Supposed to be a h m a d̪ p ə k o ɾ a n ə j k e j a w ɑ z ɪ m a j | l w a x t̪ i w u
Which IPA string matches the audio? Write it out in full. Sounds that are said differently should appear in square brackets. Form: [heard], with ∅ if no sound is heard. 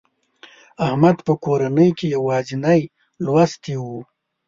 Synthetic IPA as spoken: a h m a d̪ p ə k o ɾ a n ə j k e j a w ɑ z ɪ [n] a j | l w a [s] t̪ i w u